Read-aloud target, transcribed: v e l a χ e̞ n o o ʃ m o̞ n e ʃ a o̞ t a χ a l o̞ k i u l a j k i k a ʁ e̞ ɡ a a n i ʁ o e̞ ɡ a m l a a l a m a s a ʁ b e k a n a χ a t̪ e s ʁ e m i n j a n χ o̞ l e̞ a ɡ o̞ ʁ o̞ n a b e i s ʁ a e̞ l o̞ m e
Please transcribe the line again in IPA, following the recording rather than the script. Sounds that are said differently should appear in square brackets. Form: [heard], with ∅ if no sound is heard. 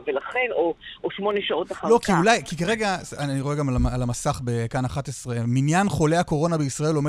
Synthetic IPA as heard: v e l a χ e̞ n o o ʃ m o̞ n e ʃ a o̞ t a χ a l o̞ k i u l a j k i k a ʁ e̞ ɡ a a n i ʁ o e̞ ɡ a m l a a l a m a s a [χ] b e k a n a χ a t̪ e s ʁ e m i n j a n χ o̞ l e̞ a [k] o̞ ʁ o̞ n a b e i s ʁ a e̞ l o̞ m e